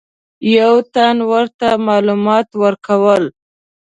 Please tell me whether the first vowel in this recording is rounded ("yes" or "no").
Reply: no